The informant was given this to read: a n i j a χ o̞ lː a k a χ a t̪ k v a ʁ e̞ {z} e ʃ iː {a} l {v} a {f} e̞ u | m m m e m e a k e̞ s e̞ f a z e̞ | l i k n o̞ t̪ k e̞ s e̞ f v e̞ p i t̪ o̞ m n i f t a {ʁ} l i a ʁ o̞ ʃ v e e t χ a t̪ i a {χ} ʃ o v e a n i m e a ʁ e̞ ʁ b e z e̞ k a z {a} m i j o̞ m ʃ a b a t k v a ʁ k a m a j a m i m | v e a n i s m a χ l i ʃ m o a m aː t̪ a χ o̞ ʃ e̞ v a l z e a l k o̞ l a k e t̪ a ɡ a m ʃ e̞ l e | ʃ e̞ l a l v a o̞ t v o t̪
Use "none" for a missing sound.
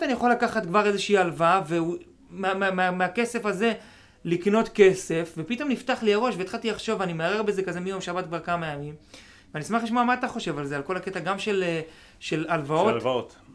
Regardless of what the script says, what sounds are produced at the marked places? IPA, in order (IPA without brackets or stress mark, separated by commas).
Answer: z, a, v, v, χ, χ, e